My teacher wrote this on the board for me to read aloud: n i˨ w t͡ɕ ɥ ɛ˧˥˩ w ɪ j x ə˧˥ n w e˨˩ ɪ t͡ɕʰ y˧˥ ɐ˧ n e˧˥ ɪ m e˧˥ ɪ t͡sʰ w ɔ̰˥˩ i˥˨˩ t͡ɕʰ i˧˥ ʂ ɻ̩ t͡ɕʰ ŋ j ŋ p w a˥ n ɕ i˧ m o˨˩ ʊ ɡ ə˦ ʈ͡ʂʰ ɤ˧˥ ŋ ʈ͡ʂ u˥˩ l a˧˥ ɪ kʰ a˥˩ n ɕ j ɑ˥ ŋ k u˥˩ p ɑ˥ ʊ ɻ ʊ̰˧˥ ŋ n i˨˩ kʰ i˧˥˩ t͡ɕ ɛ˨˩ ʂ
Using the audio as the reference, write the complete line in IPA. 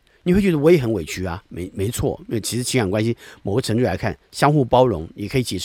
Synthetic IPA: n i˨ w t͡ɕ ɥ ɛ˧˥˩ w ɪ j x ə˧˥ n w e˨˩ ɪ t͡ɕʰ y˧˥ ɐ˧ m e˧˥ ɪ m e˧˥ ɪ t͡sʰ w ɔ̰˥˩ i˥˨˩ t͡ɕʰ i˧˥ ʂ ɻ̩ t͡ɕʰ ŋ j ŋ k w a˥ n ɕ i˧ m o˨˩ ʊ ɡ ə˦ ʈ͡ʂʰ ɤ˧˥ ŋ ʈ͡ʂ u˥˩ l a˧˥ ɪ kʰ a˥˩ n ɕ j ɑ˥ ŋ x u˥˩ p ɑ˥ ʊ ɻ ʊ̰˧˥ ŋ n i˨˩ kʰ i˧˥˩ t͡ɕ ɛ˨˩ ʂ